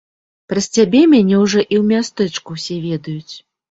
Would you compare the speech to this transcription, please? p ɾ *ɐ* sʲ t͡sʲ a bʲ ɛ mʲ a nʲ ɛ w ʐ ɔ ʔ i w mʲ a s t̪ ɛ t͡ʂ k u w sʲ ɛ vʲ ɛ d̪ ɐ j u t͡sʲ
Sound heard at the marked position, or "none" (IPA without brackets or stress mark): ɐ